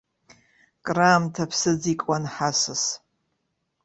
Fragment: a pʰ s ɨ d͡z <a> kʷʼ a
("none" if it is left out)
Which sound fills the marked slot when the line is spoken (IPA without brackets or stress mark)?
i